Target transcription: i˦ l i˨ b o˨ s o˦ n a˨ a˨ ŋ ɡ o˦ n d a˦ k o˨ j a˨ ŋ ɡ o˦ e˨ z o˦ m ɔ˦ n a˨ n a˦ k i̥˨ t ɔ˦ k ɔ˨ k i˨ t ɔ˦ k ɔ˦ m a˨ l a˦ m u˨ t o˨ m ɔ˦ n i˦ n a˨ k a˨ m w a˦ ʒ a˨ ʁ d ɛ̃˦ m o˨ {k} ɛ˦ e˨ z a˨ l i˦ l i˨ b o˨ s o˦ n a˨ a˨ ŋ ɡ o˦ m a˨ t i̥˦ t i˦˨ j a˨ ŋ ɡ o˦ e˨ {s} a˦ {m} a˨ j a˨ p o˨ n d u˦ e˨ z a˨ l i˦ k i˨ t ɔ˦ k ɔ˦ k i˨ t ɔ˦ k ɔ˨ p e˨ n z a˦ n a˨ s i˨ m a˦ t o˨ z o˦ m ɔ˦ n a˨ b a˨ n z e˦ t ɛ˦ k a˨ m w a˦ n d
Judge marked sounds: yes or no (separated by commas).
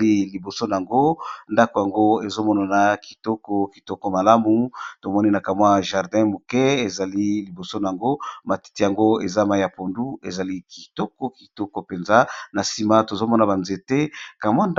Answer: yes, no, yes